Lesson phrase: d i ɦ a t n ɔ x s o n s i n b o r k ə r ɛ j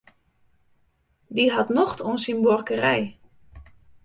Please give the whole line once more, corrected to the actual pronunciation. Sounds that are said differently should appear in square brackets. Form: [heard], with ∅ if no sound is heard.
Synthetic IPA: d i ɦ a t n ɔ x [t] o n s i n b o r k ə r ɛ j